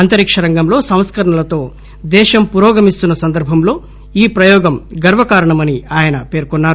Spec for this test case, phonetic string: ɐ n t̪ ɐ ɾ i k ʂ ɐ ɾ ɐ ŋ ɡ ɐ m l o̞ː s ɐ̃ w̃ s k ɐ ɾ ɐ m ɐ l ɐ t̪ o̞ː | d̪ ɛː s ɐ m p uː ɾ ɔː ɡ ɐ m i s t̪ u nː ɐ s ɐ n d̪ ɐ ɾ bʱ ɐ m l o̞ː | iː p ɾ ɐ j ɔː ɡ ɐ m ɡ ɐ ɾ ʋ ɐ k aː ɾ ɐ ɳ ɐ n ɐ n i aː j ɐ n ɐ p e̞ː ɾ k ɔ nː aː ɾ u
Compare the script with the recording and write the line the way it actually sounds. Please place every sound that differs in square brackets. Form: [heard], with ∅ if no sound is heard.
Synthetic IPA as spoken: ɐ n t̪ ɐ ɾ i k ʂ ɐ ɾ ɐ ŋ ɡ ɐ m l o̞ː s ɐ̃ w̃ s k ɐ ɾ ɐ [ɳ] ɐ l ɐ t̪ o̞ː | d̪ ɛː [ʃ] ɐ m p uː ɾ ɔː ɡ ɐ m i s t̪ u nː ɐ s ɐ n d̪ ɐ ɾ bʱ ɐ m l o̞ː | iː p ɾ ɐ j ɔː ɡ ɐ m ɡ ɐ ɾ ʋ ɐ k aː ɾ ɐ ɳ ɐ [m] ɐ n i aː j ɐ n ɐ p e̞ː ɾ k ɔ nː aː ɾ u